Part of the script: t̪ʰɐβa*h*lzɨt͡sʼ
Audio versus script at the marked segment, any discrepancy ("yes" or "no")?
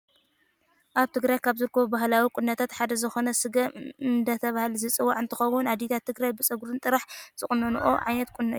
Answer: no